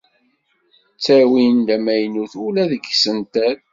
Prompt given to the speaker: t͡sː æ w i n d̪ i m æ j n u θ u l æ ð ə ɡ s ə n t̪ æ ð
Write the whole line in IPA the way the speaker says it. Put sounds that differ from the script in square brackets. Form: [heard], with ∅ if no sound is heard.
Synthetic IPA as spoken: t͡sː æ w i n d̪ [æ] m æ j n u θ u l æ ð ə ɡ s ə n t̪ æ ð